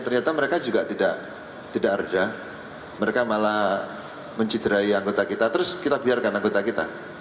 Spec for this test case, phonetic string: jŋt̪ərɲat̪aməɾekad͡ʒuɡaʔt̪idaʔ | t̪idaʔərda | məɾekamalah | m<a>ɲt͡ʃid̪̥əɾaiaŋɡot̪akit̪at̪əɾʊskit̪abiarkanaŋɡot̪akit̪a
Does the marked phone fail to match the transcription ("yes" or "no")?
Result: yes